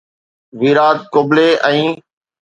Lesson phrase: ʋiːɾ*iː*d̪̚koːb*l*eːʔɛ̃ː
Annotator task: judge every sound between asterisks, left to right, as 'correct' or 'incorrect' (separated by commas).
incorrect, correct